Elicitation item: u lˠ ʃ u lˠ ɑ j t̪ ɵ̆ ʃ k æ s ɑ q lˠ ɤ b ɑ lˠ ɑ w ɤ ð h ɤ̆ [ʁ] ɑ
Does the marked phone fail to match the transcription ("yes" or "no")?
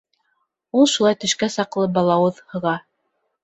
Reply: no